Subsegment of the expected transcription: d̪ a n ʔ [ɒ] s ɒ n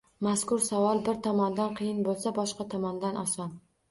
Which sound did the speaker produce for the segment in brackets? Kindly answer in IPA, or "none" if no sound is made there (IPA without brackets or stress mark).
ɒ